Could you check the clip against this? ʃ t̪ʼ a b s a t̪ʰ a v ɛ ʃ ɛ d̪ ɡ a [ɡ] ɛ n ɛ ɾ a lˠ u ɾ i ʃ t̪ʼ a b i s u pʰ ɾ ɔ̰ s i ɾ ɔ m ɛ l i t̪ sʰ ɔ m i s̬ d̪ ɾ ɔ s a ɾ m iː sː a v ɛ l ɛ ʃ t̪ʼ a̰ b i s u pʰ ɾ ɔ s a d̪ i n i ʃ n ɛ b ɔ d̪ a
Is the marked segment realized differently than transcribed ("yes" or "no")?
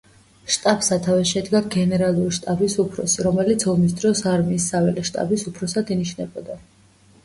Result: no